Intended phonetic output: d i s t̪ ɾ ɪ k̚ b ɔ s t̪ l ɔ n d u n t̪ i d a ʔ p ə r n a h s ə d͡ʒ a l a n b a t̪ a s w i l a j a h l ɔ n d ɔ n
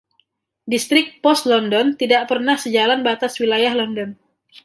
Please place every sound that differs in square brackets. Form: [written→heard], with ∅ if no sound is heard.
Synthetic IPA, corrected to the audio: d i s t̪ ɾ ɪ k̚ [b→p] ɔ s t̪ l ɔ n d [u→ɔ] n t̪ i d a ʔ p ə r n a h s ə d͡ʒ a l a n b a t̪ a s w i l a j a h l ɔ n d ɔ n